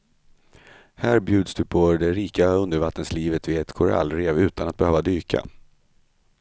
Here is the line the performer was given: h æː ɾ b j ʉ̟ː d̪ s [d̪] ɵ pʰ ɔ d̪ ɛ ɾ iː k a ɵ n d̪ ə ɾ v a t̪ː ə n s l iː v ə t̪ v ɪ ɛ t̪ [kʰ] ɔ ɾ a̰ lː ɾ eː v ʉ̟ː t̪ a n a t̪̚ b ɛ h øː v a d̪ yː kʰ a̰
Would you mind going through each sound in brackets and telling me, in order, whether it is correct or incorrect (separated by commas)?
correct, correct